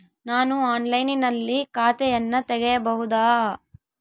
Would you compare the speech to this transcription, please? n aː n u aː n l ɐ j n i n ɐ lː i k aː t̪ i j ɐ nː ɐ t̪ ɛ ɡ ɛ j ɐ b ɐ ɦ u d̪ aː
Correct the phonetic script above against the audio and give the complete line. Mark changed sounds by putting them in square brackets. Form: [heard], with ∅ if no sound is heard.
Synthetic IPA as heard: n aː n u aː n l ɐ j n i n ɐ lː i k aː t̪ [ɛ] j ɐ nː ɐ t̪ ɛ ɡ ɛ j ɐ b ɐ ɦ u d̪ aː